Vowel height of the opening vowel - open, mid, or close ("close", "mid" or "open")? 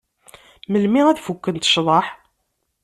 mid